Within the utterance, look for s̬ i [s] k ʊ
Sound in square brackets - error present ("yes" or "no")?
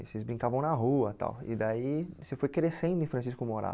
no